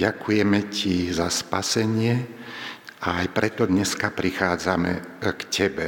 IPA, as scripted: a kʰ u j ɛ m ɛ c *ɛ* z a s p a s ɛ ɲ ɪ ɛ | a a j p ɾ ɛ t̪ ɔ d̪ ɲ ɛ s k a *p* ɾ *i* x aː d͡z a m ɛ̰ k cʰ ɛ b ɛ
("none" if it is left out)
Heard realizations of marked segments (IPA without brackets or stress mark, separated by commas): i, p, i